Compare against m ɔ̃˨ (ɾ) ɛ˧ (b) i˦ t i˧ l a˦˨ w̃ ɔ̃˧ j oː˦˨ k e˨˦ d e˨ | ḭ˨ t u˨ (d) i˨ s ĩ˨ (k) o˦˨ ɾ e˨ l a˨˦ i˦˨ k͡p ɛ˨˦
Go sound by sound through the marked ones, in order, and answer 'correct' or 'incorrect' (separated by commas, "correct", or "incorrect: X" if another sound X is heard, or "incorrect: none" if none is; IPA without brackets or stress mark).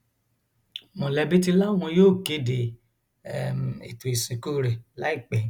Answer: incorrect: l, correct, incorrect: none, correct